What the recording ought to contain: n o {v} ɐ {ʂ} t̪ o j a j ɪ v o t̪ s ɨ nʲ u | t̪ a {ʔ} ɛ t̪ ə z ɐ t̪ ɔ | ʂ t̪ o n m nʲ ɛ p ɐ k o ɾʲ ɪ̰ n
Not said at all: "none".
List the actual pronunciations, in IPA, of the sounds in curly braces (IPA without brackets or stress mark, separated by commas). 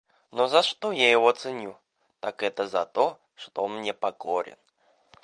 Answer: z, ʂ, k